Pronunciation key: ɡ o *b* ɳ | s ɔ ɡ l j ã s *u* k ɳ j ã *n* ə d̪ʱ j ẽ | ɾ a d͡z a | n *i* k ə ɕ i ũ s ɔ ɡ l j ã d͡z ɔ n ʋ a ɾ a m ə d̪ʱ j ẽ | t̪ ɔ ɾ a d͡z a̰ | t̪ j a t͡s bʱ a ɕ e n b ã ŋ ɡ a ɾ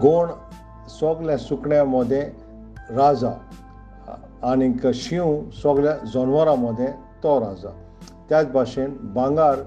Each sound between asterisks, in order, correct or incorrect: incorrect: none, correct, incorrect: m, correct

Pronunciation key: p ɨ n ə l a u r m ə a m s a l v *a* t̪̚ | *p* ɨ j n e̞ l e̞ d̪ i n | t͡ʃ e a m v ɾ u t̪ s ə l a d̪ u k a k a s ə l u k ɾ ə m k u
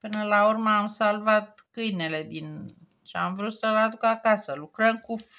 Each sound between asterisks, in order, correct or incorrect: correct, incorrect: k

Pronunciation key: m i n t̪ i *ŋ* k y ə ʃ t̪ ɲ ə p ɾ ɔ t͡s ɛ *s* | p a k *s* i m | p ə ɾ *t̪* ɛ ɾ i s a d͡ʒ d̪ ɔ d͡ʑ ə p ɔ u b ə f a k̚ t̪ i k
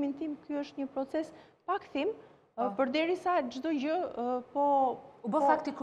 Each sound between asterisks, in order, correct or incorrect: incorrect: m, correct, incorrect: θ, incorrect: d̪

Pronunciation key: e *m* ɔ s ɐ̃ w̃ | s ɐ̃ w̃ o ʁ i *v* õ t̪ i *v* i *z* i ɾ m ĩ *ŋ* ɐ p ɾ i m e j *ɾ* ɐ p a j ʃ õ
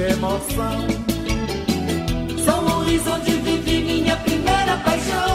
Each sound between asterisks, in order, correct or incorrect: correct, incorrect: z, correct, incorrect: v, incorrect: ɲ, correct

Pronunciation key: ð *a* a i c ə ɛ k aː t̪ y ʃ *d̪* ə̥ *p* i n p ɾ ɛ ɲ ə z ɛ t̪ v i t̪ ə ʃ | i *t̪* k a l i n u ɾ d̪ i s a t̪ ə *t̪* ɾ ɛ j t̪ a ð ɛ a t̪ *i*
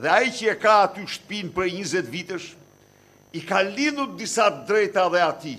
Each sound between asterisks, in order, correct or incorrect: incorrect: ɛ, incorrect: t̪, correct, incorrect: none, incorrect: d̪, correct

